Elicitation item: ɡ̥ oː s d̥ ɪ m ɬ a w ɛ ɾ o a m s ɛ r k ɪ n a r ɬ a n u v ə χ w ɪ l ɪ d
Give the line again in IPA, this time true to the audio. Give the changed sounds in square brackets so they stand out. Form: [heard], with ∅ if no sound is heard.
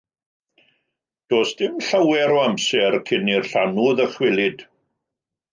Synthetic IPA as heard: [d̥] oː s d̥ ɪ m ɬ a w ɛ ɾ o a m s ɛ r [kʰ] ɪ n [i] r ɬ a n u [ð] ə χ w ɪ l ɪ d